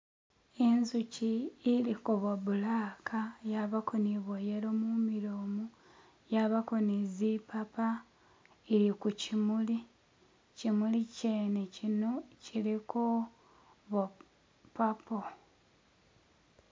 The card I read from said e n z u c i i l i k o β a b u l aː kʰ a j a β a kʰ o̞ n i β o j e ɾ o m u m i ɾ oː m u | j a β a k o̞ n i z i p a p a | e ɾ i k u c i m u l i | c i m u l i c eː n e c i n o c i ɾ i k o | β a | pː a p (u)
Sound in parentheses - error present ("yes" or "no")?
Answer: yes